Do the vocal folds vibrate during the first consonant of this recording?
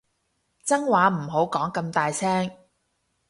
no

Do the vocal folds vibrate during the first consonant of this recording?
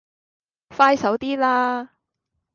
no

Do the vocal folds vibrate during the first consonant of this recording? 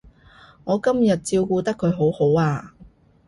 yes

